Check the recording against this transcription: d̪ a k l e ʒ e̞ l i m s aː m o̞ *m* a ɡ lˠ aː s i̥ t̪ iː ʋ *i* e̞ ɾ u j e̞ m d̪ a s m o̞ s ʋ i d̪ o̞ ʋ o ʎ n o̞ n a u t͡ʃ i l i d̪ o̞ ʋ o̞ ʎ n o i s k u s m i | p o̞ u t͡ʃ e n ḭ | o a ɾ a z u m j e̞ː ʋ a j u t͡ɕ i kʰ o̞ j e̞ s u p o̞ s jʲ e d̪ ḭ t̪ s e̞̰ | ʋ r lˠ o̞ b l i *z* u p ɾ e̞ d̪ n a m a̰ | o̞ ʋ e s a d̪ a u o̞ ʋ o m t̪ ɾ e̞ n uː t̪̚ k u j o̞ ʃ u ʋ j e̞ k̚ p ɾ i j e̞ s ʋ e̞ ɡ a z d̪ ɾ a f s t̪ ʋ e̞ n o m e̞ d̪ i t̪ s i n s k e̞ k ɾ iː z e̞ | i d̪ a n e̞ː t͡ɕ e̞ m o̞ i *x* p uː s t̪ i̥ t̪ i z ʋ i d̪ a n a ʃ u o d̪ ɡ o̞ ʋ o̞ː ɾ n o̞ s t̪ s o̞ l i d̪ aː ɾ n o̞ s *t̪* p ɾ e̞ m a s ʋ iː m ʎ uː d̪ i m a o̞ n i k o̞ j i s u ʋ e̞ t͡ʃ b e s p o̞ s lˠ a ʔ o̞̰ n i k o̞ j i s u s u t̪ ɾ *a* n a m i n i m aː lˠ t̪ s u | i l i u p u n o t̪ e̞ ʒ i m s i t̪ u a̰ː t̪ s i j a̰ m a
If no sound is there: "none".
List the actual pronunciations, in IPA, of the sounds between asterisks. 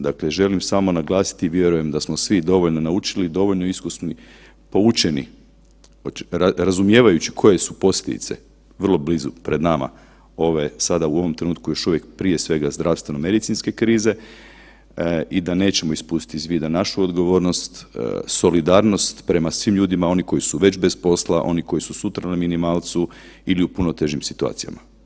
n, j, z, s, t̪, a

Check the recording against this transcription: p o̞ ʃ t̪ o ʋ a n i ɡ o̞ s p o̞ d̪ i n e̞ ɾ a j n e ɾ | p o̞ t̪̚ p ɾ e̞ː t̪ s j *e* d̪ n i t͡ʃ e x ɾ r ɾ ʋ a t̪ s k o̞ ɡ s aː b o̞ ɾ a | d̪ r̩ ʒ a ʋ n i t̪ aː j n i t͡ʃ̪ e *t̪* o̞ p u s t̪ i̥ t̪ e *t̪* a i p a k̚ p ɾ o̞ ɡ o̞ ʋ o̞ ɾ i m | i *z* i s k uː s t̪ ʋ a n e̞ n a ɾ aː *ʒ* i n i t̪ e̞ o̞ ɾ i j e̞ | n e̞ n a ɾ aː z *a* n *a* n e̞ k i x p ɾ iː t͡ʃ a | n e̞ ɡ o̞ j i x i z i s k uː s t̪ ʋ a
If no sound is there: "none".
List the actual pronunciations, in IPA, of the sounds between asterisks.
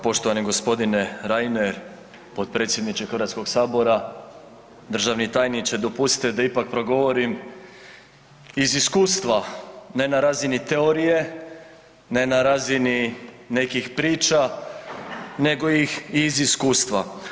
e, d̪, d̪, z, z, i, i

